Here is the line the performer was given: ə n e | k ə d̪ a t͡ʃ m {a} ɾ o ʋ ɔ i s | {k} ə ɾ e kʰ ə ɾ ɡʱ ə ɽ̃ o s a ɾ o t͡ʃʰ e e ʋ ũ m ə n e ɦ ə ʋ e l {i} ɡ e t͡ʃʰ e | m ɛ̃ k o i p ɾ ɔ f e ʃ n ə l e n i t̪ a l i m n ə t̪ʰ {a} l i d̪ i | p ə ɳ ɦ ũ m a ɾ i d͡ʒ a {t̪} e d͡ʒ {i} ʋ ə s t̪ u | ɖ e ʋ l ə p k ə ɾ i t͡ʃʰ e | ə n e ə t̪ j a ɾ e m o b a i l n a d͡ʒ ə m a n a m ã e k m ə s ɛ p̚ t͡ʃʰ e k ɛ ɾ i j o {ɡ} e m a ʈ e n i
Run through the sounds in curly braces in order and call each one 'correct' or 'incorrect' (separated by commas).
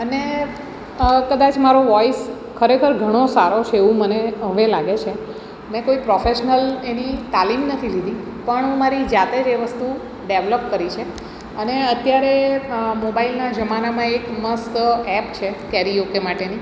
correct, incorrect, incorrect, incorrect, correct, incorrect, incorrect